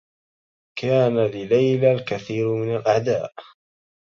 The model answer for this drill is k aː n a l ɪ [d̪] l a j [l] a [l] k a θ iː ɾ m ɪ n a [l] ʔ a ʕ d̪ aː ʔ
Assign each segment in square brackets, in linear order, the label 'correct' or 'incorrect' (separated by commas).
incorrect, correct, correct, correct